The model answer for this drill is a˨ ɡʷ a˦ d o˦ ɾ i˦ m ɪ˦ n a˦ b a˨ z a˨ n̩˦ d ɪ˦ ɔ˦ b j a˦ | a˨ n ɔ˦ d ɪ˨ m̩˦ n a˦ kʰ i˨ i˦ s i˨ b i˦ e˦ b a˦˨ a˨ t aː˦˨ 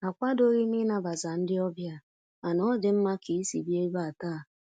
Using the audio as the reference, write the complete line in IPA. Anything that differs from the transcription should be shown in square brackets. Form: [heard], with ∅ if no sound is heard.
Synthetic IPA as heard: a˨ [kʷ] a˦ d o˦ ɾ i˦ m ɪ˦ n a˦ b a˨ z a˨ n̩˦ d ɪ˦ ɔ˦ b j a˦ | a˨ n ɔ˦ d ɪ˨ m̩˦ [m] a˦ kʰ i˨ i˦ s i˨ b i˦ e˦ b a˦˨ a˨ t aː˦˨